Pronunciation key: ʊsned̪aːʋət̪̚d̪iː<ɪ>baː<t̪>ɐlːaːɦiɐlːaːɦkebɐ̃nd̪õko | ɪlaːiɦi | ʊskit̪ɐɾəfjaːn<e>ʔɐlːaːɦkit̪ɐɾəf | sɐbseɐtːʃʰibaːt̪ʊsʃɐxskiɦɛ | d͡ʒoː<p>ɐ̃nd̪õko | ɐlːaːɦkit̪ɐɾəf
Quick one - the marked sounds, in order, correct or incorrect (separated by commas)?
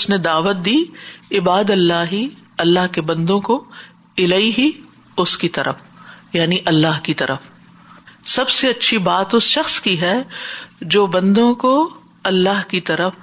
correct, incorrect, incorrect, incorrect